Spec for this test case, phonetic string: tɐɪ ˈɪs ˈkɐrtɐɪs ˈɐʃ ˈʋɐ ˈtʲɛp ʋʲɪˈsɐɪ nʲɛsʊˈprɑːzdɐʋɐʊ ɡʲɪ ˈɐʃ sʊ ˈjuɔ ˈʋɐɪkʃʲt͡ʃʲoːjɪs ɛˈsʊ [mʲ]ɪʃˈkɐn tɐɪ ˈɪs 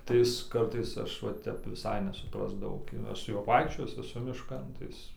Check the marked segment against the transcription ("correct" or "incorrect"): correct